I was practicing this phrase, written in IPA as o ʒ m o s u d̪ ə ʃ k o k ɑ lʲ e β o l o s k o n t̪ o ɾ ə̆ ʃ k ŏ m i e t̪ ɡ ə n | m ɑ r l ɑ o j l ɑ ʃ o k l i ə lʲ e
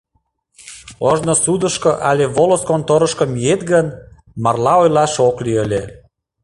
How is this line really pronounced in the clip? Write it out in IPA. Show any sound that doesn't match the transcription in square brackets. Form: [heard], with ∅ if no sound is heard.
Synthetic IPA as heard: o ʒ [n] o s u d̪ ə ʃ k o [ʔ] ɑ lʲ e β o l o s k o n t̪ o ɾ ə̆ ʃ k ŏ m i e t̪ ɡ ə n | m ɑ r l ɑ o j l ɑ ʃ o k l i ə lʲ e

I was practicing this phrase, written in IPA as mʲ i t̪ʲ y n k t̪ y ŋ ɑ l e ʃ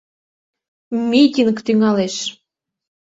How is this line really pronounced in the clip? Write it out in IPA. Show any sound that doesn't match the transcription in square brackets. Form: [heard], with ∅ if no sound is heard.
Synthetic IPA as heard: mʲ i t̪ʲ [i] n k t̪ y ŋ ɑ l e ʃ

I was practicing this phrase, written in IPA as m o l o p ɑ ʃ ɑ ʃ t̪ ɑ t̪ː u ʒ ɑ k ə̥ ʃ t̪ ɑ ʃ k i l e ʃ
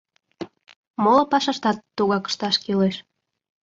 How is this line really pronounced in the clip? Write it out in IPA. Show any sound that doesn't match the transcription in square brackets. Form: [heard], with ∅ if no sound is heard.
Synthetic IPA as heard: m o l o p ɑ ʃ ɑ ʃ t̪ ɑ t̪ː u [ɣ] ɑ k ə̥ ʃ t̪ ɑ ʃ k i l e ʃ

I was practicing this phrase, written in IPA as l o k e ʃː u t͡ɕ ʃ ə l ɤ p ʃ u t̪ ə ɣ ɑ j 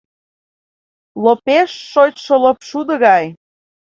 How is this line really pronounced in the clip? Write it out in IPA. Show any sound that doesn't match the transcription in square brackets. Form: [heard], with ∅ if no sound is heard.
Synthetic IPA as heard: l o [p] e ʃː [o] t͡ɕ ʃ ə l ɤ p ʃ u [d̪] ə ɣ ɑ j

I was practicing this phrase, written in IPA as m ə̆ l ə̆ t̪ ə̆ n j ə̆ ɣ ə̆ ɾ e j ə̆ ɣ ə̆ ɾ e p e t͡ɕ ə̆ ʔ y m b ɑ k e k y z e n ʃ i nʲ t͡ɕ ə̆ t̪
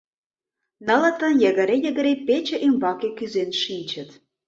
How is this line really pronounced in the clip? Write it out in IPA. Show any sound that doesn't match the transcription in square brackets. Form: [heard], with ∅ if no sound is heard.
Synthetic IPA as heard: [n] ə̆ l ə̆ t̪ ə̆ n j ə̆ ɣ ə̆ ɾ e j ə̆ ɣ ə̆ ɾ e p e t͡ɕ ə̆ ʔ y m b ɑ k e k y z e n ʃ i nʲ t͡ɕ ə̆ t̪

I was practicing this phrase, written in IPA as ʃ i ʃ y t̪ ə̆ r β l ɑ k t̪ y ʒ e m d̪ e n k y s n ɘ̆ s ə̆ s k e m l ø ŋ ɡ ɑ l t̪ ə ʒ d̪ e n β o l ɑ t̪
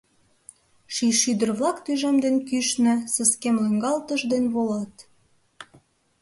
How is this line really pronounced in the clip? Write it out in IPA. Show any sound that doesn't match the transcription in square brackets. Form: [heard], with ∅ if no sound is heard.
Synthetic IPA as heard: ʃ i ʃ y [d̪] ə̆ r β l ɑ k t̪ y ʒ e m d̪ e n k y [ʃ] n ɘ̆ s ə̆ s k e m l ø ŋ ɡ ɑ l t̪ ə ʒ d̪ e n β o l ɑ t̪

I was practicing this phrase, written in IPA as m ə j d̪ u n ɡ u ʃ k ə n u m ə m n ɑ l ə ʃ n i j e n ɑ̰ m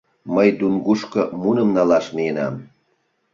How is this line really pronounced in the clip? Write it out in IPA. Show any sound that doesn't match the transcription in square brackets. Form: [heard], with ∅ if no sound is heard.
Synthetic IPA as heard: m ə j d̪ u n ɡ u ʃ k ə [m] u [n] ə m n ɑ l [ɑ] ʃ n i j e n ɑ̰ m

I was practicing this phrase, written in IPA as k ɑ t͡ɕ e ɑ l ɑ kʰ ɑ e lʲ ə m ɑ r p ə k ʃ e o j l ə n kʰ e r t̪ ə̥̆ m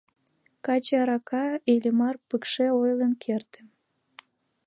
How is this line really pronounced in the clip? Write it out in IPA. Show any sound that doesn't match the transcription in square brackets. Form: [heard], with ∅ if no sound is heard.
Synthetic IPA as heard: k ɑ t͡ɕ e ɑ [ɾ] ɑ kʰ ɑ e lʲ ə m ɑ r p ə k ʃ e o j l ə n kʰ e r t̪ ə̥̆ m

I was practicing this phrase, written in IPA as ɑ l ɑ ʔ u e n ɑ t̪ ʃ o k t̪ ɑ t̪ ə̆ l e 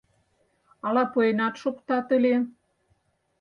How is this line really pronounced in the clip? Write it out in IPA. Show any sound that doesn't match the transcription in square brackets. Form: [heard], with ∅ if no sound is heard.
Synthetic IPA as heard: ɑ l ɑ [p] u e n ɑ t̪ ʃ o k t̪ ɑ t̪ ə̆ l e

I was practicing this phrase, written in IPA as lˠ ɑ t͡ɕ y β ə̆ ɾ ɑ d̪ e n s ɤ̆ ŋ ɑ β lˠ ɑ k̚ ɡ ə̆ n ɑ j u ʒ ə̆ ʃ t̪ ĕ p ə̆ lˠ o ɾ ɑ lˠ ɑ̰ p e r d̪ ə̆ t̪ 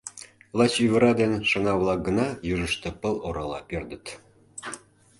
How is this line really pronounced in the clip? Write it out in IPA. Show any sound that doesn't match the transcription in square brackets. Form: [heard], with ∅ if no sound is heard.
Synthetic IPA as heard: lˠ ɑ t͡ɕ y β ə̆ ɾ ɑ d̪ e n [ʃ] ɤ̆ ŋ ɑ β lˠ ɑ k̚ ɡ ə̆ n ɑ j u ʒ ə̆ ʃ t̪ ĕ p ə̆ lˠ o ɾ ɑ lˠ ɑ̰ p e r d̪ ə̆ t̪

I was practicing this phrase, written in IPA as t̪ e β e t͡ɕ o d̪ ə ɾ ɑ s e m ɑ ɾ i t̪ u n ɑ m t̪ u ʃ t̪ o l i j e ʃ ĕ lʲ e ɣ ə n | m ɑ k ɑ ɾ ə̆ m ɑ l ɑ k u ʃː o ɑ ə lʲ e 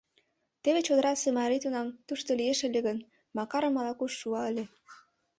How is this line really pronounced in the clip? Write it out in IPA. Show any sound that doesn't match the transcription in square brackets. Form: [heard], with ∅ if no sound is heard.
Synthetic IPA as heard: t̪ e β e t͡ɕ o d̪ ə ɾ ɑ s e m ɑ ɾ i t̪ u n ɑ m t̪ u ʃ t̪ o l i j e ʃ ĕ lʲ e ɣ ə n | m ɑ k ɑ ɾ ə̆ m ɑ l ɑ k u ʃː [u] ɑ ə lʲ e

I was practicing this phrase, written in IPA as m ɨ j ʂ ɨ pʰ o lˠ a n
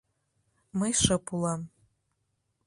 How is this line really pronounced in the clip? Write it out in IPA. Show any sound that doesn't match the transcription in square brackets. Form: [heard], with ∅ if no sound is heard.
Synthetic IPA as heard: m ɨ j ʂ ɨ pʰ [u] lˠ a [m]

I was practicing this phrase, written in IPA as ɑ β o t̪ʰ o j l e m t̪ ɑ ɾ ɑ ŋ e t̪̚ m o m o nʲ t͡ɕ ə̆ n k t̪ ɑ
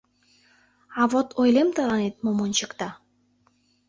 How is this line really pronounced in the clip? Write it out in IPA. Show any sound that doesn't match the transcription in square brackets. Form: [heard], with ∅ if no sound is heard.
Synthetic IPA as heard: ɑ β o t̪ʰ o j l e m t̪ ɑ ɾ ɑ [n] e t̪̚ m o m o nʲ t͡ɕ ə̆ [∅] k t̪ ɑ

